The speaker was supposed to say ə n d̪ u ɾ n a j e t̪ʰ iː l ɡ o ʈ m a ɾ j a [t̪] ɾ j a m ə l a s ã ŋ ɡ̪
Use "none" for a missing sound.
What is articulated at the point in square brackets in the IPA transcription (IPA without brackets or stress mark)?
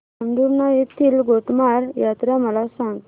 t̪